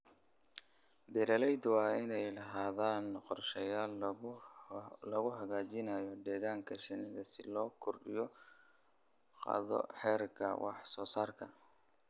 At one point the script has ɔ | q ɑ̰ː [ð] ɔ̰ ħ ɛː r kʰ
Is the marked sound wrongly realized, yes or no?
no